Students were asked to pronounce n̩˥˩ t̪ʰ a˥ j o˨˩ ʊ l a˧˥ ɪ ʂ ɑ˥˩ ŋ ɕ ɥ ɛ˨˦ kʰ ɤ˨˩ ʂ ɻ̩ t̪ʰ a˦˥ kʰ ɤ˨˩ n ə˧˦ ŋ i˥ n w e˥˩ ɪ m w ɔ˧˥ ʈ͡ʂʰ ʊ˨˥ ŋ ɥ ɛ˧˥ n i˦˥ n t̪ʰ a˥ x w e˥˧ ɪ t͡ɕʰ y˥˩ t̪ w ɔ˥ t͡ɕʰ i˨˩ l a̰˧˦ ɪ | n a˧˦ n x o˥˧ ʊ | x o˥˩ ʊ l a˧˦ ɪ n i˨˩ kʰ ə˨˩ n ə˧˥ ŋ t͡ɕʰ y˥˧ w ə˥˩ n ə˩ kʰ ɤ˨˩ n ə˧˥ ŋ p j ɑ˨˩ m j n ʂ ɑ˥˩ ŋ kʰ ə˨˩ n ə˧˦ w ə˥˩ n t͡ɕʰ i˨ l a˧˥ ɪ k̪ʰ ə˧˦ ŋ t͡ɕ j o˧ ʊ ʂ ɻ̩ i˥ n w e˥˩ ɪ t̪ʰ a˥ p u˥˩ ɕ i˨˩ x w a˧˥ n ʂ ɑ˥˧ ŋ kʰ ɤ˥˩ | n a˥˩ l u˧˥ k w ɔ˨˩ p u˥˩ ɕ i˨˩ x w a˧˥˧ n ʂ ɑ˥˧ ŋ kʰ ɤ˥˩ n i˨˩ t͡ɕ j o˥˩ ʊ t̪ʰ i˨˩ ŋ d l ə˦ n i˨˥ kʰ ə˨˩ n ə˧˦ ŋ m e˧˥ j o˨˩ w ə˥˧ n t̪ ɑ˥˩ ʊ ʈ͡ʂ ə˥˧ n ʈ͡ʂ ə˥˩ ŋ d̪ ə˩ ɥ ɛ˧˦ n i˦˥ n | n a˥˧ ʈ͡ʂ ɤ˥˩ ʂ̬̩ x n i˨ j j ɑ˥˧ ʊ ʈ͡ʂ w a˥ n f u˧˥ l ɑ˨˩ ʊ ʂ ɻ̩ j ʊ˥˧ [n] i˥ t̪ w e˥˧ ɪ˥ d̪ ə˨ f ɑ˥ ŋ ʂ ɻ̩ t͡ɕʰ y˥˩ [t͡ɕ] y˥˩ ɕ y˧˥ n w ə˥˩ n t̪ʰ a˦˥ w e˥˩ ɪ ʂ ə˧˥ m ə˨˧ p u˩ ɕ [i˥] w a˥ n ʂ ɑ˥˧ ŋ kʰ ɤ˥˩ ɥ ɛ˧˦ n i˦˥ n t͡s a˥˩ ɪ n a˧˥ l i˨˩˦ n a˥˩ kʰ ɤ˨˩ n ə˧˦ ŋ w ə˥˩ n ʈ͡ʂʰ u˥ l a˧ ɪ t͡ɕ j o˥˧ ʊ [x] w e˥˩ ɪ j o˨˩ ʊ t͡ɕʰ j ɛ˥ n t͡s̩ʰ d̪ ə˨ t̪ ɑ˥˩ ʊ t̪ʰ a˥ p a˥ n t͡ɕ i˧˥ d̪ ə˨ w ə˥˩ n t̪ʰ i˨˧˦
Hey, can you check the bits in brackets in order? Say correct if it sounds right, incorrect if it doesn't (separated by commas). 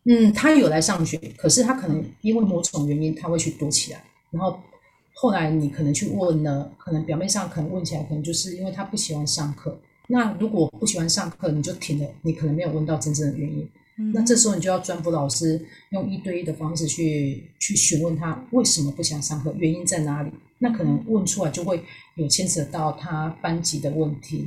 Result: incorrect, incorrect, incorrect, correct